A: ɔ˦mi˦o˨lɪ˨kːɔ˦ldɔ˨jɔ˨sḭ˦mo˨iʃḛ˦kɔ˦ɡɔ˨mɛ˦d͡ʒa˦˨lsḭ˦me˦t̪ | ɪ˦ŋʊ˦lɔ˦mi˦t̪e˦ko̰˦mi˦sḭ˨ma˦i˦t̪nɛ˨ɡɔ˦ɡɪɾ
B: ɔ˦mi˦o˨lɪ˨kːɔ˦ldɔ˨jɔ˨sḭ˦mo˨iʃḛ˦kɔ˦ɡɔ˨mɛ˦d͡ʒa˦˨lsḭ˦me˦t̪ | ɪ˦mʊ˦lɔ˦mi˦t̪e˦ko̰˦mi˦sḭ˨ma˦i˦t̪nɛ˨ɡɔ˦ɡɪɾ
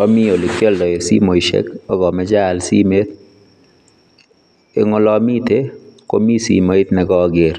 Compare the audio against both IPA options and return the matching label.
A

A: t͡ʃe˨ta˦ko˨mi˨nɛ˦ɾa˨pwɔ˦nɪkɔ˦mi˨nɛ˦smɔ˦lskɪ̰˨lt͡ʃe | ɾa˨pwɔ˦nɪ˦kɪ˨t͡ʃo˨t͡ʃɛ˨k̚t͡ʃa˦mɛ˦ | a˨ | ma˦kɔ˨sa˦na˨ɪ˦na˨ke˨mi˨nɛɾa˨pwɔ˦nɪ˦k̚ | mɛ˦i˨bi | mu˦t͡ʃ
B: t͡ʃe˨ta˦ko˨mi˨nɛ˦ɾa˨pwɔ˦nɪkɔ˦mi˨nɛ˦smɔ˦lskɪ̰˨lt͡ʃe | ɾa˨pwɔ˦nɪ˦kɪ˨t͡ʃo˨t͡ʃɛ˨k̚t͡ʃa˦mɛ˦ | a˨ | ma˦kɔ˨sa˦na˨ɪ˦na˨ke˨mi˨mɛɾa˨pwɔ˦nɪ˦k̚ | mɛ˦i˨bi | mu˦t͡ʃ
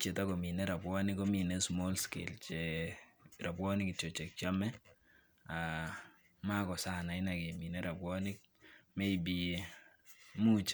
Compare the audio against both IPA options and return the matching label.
A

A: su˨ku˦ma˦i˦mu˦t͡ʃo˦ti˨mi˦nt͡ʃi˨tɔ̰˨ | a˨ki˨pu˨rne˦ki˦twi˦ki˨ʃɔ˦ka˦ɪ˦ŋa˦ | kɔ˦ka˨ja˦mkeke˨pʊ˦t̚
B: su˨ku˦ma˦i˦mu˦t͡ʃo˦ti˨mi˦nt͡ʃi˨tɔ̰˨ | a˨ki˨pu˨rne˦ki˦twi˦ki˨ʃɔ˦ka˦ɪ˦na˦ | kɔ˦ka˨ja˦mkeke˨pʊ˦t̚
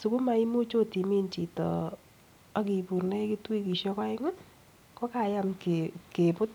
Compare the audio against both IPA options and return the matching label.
A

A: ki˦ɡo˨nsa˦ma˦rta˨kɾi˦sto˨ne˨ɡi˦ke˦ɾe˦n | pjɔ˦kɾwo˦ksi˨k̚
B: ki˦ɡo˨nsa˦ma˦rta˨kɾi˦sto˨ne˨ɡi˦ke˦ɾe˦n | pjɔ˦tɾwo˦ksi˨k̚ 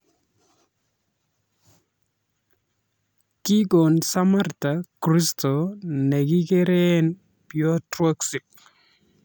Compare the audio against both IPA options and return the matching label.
B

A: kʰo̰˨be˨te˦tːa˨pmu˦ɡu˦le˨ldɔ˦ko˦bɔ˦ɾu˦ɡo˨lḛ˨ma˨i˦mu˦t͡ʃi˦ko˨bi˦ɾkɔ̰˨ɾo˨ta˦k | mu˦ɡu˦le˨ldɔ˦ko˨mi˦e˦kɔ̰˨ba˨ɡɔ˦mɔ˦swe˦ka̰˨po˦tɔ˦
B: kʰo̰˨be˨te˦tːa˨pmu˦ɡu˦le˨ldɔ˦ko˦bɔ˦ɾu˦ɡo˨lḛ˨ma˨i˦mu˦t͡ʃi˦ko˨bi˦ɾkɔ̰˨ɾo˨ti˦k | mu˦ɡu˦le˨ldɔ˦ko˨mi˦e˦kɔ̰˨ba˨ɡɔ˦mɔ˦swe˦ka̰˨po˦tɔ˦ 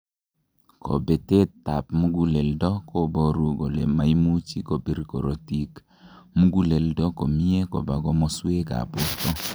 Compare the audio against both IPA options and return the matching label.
B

